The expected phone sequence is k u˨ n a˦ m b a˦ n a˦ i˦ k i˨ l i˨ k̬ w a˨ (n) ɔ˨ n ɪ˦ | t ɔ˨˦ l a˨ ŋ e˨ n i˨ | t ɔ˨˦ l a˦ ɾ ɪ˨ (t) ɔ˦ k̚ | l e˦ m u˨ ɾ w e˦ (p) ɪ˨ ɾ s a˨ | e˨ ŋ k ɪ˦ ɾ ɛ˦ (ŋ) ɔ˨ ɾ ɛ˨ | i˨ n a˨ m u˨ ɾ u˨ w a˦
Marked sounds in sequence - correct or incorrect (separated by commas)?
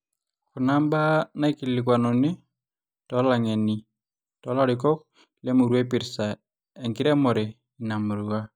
correct, incorrect, correct, incorrect